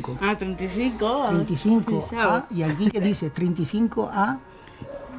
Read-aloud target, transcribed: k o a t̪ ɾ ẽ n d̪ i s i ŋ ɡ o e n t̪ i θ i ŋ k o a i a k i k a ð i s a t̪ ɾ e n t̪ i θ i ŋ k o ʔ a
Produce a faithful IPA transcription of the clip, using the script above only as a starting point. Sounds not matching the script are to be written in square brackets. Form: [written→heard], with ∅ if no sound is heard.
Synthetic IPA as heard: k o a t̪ ɾ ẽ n [d̪→t̪] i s i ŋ [ɡ→k] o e n t̪ i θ i ŋ k o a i a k i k [a→e] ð i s [a→e] t̪ ɾ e n t̪ i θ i ŋ k o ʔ a